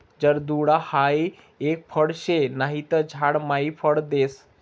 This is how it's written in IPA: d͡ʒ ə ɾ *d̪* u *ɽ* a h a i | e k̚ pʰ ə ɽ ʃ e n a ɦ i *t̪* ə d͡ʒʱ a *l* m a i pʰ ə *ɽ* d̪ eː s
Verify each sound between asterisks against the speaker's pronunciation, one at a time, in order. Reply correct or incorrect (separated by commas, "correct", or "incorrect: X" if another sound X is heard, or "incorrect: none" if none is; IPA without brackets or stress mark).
correct, correct, correct, incorrect: ɽ, correct